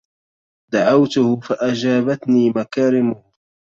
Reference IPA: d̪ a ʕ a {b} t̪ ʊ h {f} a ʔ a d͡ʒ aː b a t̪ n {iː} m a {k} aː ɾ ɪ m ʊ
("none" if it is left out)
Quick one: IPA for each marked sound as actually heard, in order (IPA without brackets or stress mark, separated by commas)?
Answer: w, f, iː, k